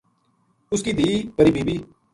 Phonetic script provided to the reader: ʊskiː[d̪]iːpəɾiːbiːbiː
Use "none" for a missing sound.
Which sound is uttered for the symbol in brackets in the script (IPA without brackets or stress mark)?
d̪